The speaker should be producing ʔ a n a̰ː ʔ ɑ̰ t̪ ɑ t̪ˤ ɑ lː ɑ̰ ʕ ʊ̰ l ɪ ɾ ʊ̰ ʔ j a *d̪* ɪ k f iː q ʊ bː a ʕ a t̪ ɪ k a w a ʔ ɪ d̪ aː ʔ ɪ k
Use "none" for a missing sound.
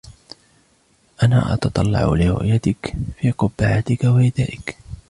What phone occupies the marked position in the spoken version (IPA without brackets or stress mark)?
t̪